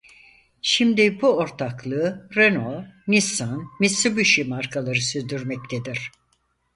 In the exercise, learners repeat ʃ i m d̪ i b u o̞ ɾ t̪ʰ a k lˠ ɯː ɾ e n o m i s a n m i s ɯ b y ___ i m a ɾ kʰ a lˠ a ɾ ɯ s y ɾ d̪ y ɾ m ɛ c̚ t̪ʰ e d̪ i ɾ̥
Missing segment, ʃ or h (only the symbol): ʃ